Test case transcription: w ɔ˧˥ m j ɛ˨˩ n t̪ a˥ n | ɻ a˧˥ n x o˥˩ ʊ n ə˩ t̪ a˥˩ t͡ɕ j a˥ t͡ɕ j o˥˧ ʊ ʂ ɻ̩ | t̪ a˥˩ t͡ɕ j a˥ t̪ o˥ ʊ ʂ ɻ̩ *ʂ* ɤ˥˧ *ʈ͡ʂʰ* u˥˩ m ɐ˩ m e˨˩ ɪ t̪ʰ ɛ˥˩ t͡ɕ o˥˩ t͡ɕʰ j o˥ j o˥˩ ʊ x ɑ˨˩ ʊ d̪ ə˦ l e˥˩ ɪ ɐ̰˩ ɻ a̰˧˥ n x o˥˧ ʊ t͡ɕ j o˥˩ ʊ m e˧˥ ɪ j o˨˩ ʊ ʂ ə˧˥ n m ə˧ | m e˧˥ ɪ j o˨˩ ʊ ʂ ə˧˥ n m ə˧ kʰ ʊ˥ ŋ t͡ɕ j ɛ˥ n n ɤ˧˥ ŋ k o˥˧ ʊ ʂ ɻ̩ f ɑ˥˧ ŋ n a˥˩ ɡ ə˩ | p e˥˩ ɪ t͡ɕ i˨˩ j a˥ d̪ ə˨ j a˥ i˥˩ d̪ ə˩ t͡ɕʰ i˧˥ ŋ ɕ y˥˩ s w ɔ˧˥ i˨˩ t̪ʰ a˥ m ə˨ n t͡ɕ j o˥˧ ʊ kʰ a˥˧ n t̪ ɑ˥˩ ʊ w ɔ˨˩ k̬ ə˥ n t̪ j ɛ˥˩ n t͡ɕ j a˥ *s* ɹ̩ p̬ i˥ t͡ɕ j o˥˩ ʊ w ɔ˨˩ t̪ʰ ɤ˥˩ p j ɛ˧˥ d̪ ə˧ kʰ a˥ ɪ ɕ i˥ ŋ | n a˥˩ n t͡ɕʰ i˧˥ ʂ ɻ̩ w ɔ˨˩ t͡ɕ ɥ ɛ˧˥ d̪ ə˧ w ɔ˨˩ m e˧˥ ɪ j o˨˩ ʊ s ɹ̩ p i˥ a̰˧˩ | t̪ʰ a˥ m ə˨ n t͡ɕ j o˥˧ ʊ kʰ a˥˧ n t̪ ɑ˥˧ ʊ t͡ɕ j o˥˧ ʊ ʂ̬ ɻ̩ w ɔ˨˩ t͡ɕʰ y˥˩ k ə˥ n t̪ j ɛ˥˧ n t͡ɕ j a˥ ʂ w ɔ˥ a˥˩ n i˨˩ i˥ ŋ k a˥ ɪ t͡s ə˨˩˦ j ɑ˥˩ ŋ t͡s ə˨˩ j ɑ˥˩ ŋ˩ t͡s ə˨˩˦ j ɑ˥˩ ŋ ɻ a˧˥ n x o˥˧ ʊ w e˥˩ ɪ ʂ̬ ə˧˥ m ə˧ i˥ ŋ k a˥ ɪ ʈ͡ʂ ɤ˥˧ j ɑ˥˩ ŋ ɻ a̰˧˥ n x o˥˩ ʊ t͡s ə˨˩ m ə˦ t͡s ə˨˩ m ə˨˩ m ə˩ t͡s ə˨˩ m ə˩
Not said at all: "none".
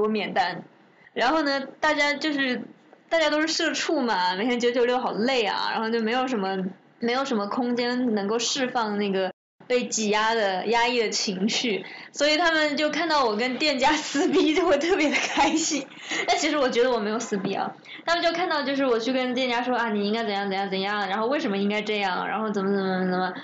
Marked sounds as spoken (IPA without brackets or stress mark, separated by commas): ʂ, ʈ͡ʂʰ, s